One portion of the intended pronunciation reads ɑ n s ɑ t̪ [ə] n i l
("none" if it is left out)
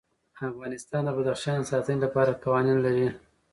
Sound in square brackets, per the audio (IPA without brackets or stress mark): ə